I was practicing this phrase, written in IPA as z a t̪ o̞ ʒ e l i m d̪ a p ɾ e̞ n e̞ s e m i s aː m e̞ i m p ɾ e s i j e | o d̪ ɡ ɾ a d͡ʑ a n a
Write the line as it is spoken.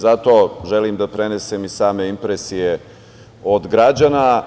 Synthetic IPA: z a t̪ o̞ ʒ e l i m d̪ a p ɾ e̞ n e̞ s e m i s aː m e̞ i m p ɾ e s i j e | o d̪ ɡ ɾ a d͡ʑ a n a